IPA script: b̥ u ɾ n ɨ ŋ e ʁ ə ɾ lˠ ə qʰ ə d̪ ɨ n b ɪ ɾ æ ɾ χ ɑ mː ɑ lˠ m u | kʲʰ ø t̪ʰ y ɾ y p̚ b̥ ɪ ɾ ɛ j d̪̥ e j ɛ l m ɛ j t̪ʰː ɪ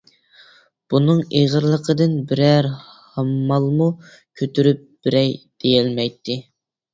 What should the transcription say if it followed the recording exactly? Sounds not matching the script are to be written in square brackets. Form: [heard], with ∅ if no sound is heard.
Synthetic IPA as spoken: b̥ u [∅] n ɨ ŋ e ʁ ə ɾ lˠ ə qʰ ə d̪ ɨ n b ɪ ɾ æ ɾ [h] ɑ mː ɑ lˠ m u | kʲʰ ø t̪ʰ y ɾ y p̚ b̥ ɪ ɾ ɛ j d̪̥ e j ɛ l m ɛ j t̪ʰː ɪ